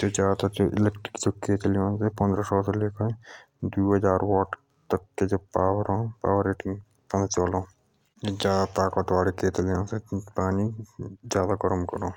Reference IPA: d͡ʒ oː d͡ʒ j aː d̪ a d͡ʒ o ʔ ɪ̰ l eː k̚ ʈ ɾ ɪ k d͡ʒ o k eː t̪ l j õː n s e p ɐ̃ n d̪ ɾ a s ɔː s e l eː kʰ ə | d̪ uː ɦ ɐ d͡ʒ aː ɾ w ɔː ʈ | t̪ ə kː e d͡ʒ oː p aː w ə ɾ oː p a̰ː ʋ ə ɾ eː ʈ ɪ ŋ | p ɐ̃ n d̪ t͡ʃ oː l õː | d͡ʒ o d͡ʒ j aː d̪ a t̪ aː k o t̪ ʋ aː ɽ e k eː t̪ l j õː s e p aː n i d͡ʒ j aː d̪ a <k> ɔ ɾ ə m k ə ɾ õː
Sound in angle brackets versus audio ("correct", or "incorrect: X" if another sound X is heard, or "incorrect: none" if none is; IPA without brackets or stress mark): incorrect: ɡ